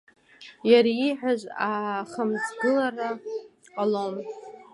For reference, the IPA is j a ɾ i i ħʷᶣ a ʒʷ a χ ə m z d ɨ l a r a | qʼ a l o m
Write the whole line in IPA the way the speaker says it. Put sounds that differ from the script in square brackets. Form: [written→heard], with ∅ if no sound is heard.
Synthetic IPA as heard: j a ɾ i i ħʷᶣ a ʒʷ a χ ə m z [d→ɡ] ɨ l a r a | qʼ a l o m